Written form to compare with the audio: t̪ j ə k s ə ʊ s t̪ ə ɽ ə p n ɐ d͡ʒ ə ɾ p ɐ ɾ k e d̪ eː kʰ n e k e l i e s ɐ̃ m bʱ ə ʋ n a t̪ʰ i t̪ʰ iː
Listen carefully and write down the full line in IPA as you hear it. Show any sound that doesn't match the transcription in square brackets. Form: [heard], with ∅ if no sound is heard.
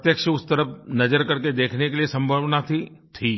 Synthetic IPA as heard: t̪ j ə k [ʃ] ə ʊ s t̪ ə [ɾ] ə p n ɐ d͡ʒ ə ɾ [k] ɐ ɾ k e d̪ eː kʰ n e k e l i e s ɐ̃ m bʱ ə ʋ n a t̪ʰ i t̪ʰ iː